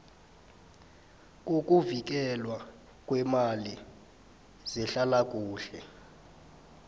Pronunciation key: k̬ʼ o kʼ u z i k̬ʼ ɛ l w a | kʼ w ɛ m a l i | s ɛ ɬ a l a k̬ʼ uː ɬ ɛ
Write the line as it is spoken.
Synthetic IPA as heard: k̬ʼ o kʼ u v i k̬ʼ ɛ l w a | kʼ w ɛ m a l i | z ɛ ɬ a l a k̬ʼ uː ɬ ɛ